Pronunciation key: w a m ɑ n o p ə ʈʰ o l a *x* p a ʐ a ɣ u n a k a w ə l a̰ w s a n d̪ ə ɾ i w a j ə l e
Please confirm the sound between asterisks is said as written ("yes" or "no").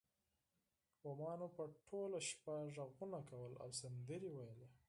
no